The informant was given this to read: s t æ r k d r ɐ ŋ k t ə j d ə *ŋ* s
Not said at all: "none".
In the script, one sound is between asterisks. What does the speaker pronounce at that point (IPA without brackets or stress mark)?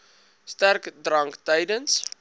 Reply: n